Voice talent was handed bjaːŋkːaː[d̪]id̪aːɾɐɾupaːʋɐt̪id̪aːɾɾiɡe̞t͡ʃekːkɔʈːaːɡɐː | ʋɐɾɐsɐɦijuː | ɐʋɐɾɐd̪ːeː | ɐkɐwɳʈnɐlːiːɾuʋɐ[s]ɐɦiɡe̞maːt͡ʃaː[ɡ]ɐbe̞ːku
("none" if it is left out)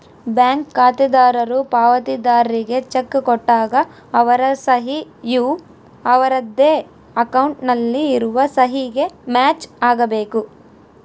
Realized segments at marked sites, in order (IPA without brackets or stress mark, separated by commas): t̪, s, ɡ